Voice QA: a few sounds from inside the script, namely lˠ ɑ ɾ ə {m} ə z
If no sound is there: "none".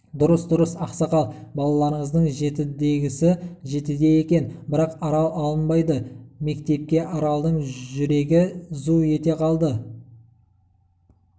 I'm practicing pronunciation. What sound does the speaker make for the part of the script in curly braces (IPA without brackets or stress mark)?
ɴ